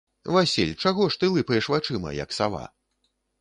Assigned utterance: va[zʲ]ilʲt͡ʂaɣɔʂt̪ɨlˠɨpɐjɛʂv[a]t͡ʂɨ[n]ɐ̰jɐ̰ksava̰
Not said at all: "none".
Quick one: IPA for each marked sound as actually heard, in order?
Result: sʲ, a, m

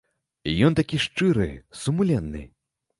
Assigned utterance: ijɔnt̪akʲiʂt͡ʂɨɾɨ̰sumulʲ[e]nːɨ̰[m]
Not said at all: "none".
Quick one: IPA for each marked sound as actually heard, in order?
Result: ɛ, none

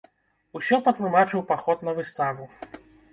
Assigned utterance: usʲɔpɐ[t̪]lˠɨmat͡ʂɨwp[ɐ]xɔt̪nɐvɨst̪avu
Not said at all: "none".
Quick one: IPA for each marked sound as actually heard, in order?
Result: t̪, a

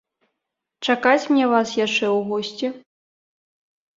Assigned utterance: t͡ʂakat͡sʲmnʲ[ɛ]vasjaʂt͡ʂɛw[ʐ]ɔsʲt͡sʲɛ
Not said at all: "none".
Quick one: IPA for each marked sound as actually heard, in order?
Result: ɛ, ɣ

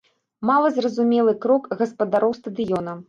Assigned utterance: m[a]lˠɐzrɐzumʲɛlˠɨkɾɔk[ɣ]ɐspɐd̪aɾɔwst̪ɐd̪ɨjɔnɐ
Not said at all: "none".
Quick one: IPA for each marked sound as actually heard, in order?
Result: a, ɣ

